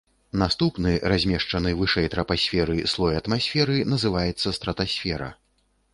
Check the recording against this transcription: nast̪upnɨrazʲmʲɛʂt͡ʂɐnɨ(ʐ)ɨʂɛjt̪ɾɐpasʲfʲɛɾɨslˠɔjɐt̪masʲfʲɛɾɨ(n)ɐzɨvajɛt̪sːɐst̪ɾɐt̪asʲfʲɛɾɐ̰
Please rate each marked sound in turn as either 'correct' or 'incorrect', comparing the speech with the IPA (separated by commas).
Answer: incorrect, correct